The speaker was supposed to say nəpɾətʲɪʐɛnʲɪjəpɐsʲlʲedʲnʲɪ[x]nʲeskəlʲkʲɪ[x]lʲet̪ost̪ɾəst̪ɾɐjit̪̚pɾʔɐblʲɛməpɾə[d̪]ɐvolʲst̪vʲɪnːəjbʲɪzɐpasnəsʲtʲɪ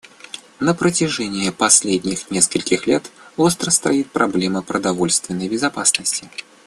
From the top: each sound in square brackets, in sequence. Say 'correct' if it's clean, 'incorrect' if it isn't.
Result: correct, correct, correct

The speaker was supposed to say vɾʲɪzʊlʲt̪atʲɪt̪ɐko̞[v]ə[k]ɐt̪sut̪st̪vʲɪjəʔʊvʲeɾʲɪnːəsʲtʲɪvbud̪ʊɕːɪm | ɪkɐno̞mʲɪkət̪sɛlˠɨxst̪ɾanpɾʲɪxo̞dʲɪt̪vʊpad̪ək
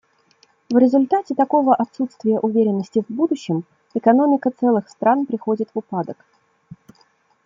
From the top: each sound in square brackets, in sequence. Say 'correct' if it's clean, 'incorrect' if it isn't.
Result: correct, incorrect

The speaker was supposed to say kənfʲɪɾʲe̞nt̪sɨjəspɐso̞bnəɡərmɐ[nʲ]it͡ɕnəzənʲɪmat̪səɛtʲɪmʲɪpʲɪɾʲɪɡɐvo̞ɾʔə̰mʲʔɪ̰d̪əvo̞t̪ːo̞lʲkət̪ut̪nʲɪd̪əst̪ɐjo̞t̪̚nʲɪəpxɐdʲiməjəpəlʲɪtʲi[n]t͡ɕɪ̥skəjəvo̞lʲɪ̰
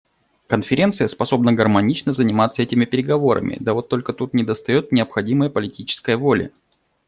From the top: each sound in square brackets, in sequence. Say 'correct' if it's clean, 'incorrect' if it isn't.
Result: correct, incorrect

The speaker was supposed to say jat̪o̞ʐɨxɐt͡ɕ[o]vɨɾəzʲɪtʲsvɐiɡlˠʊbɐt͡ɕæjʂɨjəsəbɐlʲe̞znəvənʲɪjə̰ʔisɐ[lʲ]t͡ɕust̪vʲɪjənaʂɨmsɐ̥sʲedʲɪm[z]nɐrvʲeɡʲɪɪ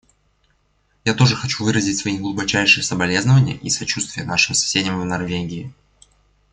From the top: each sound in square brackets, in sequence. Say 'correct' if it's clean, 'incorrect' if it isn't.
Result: incorrect, incorrect, incorrect

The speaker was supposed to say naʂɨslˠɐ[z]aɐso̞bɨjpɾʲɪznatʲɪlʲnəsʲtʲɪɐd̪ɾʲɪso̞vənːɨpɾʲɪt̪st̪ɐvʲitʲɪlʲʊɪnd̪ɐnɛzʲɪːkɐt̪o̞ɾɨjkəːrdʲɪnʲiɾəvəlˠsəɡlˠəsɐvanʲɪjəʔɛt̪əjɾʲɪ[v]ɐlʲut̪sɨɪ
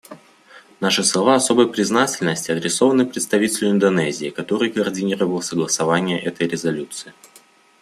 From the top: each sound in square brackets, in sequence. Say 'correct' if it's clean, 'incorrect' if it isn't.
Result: incorrect, incorrect

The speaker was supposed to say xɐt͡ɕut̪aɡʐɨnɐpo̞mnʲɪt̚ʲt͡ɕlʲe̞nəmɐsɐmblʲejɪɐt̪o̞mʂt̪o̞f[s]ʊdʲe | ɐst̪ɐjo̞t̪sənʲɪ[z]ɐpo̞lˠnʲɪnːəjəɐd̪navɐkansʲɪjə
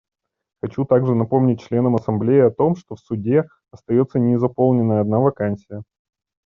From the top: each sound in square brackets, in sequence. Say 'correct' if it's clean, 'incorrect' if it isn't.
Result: correct, correct

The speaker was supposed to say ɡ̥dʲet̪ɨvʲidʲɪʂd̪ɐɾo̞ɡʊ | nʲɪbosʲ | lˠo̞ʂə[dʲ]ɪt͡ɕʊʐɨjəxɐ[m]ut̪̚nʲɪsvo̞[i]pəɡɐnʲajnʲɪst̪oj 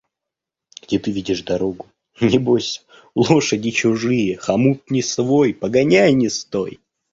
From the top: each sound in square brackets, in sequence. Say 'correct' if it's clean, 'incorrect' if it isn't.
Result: correct, correct, incorrect

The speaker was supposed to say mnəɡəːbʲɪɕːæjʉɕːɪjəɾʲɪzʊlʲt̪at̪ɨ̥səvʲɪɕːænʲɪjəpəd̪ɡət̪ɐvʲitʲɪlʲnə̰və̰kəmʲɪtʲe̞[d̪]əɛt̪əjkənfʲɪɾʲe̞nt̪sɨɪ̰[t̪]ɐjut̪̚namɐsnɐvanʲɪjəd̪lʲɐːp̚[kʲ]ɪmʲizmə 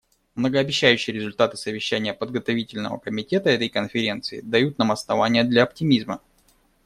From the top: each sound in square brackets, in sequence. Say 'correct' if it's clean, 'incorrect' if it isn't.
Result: incorrect, incorrect, incorrect

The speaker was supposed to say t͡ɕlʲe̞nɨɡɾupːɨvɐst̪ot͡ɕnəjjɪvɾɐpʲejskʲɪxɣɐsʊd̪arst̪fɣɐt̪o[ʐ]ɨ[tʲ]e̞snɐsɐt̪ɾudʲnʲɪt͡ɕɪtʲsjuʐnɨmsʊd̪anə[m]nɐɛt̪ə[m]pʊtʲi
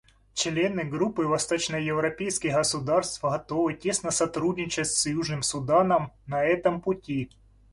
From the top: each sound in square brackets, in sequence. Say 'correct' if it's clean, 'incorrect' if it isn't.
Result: incorrect, correct, correct, correct

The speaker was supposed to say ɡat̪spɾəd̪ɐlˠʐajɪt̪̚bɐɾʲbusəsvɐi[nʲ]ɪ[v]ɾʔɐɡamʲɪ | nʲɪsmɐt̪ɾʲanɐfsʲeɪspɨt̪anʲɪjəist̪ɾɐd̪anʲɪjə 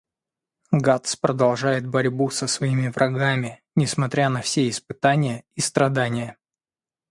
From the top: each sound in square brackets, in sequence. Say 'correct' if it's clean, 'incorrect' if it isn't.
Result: incorrect, correct

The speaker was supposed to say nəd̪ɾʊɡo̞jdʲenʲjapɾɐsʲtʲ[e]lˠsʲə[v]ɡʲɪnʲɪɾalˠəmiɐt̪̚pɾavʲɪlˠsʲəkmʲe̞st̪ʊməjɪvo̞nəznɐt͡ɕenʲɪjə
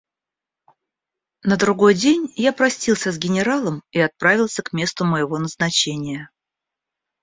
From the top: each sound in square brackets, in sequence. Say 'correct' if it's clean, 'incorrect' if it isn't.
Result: incorrect, incorrect

